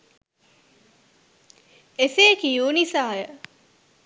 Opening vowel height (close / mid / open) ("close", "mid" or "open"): mid